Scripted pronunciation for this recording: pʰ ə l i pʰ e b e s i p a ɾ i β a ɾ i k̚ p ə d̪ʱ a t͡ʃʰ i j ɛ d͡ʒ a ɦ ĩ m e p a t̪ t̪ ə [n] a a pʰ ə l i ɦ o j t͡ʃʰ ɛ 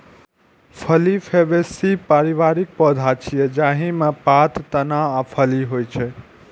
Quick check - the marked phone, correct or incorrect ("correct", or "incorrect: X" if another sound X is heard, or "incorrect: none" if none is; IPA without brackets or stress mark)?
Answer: correct